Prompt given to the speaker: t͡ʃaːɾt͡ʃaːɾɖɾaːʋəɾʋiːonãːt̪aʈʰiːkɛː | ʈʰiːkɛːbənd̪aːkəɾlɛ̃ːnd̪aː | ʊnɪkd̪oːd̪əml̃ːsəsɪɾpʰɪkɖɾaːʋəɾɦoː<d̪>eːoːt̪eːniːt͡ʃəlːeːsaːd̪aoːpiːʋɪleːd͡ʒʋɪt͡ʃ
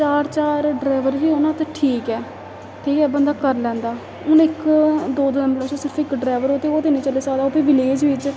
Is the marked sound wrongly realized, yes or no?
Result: yes